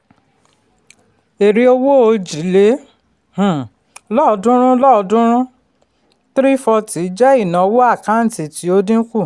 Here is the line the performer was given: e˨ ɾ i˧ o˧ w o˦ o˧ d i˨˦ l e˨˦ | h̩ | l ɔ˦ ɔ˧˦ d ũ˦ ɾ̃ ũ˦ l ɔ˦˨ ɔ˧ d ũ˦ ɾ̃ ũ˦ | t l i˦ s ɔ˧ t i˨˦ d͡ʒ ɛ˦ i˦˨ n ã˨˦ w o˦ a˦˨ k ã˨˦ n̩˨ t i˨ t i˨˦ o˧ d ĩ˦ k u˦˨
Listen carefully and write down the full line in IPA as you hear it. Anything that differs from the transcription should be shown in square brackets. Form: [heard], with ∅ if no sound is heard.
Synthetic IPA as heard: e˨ ɾ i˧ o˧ w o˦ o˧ [d͡ʒ] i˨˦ l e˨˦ | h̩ | l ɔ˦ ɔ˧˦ d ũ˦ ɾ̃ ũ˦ l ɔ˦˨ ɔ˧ d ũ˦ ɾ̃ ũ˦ | t [ɾ] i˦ [f] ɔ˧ t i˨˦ d͡ʒ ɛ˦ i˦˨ n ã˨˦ w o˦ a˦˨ k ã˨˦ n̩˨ t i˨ t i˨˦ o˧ d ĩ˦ k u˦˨